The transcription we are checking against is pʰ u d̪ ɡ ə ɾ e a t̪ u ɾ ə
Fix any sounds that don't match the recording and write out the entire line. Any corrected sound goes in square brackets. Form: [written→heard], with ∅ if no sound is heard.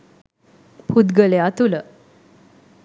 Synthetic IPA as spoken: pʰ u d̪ ɡ ə [ɾ→l] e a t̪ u [ɾ→l] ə

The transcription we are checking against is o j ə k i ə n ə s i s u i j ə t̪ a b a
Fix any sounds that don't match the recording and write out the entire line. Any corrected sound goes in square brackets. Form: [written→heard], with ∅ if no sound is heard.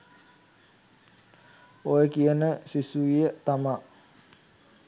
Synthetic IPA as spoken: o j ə k i ə n ə s i s u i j ə t̪ a [b→m] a

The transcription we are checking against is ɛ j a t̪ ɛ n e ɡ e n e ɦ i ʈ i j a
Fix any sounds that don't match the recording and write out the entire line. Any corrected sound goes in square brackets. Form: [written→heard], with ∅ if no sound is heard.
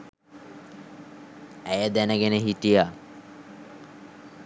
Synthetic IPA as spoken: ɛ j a [t̪→d̪] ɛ n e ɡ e n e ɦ i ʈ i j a

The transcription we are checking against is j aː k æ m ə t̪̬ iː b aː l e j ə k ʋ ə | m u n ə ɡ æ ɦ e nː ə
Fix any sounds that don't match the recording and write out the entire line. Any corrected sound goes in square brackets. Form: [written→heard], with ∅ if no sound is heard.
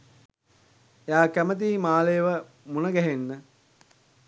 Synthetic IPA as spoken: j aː k æ m ə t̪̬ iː [b→m] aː l e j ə [k→∅] ʋ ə | m u n ə ɡ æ ɦ e nː ə

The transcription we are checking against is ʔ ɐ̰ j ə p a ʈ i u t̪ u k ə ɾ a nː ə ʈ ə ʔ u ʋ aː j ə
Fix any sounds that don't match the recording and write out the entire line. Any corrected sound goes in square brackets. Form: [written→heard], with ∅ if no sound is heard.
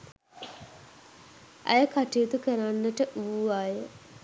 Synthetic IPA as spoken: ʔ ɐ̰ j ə [p→k] a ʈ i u t̪ u k ə ɾ a nː ə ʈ ə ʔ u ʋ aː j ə

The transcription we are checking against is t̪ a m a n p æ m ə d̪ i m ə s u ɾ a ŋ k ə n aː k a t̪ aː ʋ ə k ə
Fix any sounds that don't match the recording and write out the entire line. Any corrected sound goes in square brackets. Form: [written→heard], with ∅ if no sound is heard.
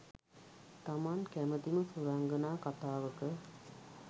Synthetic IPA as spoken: t̪ a m a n [p→k] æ m ə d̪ i m ə s u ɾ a ŋ [k→ɡ] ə n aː k a t̪ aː ʋ ə k ə

